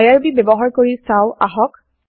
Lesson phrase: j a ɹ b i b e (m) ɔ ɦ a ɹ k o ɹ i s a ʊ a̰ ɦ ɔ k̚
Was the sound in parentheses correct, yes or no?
no